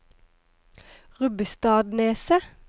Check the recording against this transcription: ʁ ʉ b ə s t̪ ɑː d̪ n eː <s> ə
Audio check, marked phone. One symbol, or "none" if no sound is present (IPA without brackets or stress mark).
s